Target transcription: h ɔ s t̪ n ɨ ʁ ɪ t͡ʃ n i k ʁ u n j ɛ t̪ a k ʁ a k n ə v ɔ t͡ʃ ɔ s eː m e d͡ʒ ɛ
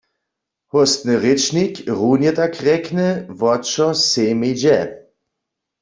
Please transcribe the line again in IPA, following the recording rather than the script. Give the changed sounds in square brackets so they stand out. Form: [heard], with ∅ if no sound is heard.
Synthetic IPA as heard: h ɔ s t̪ n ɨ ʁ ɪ t͡ʃ n i k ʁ u n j ɛ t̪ a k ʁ [ɛ] k n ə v ɔ t͡ʃ ɔ s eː m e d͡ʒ ɛ